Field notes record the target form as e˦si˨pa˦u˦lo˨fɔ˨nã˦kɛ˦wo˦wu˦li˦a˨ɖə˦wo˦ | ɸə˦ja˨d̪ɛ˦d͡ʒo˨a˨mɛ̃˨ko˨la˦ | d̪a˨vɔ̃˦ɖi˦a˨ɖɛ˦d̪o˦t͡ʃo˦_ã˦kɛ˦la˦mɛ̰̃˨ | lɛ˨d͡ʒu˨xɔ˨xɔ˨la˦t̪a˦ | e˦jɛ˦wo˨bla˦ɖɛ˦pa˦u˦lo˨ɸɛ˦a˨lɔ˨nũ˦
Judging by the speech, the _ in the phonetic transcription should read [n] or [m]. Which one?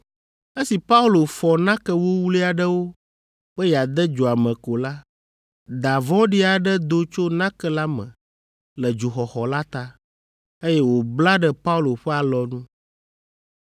n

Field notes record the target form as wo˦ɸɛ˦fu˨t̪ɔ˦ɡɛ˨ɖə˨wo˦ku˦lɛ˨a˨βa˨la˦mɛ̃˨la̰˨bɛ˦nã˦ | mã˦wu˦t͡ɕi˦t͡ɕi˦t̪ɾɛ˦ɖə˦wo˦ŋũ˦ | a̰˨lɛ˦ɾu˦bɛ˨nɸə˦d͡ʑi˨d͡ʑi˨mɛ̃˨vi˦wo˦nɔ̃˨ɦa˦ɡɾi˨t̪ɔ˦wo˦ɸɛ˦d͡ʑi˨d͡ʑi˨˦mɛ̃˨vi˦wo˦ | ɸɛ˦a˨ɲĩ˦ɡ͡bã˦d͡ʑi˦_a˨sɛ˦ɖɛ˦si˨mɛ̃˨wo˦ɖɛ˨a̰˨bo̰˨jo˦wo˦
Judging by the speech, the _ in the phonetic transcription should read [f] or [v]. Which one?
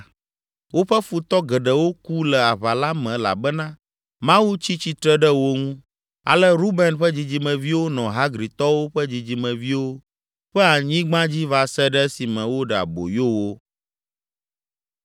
v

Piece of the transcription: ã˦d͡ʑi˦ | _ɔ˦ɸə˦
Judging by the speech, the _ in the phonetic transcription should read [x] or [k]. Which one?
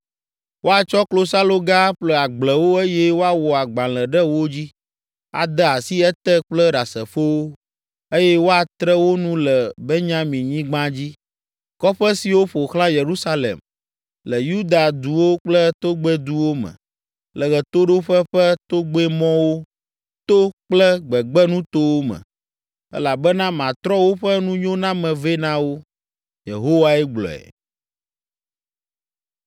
k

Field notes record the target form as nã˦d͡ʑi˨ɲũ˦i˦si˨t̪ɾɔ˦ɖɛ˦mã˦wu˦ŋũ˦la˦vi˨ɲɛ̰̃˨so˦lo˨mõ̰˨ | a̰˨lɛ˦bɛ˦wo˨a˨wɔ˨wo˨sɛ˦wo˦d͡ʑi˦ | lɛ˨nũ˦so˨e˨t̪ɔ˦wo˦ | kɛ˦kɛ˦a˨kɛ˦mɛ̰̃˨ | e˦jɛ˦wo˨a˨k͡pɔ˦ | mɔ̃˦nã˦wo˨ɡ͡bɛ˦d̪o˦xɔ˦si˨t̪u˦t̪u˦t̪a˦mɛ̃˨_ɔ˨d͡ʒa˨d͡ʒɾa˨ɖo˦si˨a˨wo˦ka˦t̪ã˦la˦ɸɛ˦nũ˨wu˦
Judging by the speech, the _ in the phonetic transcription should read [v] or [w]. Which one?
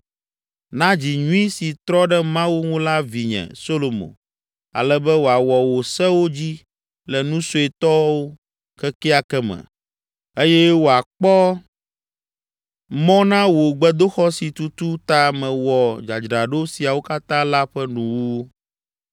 w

